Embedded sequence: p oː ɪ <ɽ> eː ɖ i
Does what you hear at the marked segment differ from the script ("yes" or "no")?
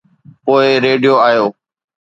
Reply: yes